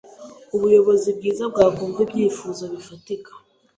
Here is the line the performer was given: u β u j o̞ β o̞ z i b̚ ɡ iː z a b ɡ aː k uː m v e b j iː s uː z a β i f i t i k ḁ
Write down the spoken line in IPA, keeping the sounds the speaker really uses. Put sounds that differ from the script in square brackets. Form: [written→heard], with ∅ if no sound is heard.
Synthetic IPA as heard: u β u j o̞ β o̞ z i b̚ ɡ iː z a b ɡ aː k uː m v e b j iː [s→f] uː z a β i f [i→a] t i k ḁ